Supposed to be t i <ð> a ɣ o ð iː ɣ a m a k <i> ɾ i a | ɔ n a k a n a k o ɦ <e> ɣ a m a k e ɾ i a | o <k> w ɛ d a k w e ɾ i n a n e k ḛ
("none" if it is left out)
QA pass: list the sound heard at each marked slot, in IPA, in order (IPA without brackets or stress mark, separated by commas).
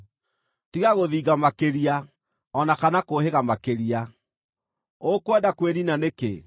ɣ, e, e, k